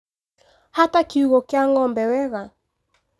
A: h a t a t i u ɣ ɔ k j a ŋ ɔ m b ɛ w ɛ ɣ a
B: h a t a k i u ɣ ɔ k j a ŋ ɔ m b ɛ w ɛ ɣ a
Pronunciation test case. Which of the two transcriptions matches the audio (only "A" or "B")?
B